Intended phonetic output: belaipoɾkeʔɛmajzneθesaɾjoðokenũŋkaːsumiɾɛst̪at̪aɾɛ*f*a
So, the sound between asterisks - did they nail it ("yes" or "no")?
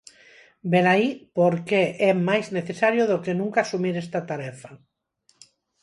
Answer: yes